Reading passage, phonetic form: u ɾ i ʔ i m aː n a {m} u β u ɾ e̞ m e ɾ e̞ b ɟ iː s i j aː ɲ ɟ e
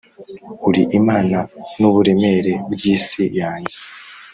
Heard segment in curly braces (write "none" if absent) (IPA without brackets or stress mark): n